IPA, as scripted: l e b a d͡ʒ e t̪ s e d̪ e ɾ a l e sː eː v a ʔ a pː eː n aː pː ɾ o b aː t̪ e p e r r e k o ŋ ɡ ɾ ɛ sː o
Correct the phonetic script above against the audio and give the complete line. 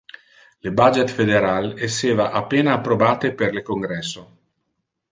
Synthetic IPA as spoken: l e b a d͡ʒ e t̪ f e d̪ e ɾ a l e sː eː v a ʔ a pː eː n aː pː ɾ o b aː t̪ e p e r l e k o ŋ ɡ ɾ ɛ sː o